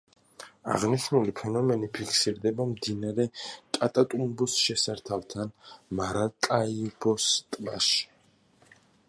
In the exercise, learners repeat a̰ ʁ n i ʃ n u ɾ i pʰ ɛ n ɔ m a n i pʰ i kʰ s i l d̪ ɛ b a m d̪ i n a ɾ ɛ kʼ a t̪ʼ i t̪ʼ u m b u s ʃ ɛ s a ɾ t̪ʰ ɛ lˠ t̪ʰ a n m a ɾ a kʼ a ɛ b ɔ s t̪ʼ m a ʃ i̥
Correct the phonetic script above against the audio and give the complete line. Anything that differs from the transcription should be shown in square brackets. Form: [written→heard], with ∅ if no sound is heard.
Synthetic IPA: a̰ ʁ n i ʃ n u [ɾ→l] i pʰ ɛ n ɔ m [a→ɛ] n i pʰ i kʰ s i [l→ɾ] d̪ ɛ b a m d̪ i n a ɾ ɛ kʼ a t̪ʼ [i→a] t̪ʼ u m b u s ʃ ɛ s a ɾ t̪ʰ [ɛ→a] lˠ t̪ʰ a n m a ɾ a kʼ a [ɛ→i] b ɔ s t̪ʼ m a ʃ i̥

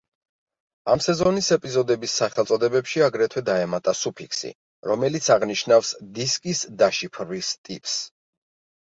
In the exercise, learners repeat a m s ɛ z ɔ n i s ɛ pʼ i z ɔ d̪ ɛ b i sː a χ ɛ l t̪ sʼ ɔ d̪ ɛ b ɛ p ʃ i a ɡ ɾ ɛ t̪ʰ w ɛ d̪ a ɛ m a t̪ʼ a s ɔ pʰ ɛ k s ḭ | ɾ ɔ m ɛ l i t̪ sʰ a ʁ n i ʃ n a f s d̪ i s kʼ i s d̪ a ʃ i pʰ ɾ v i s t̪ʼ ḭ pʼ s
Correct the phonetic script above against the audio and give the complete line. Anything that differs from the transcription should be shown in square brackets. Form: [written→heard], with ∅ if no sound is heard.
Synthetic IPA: a m s ɛ z ɔ n i s ɛ pʼ i z ɔ d̪ ɛ b i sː a χ ɛ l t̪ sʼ ɔ d̪ ɛ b ɛ p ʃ i a ɡ ɾ ɛ t̪ʰ w ɛ d̪ a ɛ m a t̪ʼ a s [ɔ→u] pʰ [ɛ→i] k s ḭ | ɾ ɔ m ɛ l i t̪ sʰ a ʁ n i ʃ n a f s d̪ i s kʼ i s d̪ a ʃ i pʰ ɾ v i s t̪ʼ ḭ pʼ s

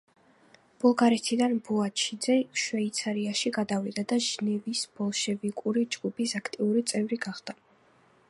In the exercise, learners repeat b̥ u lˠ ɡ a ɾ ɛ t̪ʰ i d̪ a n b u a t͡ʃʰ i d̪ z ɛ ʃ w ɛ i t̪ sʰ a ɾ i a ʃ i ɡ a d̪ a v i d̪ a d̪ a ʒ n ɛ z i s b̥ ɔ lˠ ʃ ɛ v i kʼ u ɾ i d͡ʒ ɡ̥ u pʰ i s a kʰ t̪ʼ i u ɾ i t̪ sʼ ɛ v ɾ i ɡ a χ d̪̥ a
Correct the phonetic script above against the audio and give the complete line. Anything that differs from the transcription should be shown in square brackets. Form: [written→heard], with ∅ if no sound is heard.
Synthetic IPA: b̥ u lˠ ɡ a ɾ ɛ t̪ʰ i d̪ a n b u a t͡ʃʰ i d̪ z ɛ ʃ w ɛ i t̪ sʰ a ɾ i a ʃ i ɡ a d̪ a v i d̪ a d̪ a ʒ n ɛ [z→v] i s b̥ ɔ lˠ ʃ ɛ v i kʼ u ɾ i d͡ʒ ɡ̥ u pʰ i s a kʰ t̪ʼ i u ɾ i t̪ sʼ ɛ v ɾ i ɡ a χ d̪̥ a

